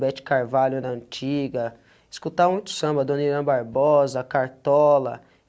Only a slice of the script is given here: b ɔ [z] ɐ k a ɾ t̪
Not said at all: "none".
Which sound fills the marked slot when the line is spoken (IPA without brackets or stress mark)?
z